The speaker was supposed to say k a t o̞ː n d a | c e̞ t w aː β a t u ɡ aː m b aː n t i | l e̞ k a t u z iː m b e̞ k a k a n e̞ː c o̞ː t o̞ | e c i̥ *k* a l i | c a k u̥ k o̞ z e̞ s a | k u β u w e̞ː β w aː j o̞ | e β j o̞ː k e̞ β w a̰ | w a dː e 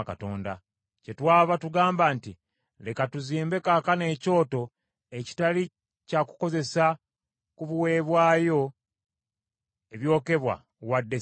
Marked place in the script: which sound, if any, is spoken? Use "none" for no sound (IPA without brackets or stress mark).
t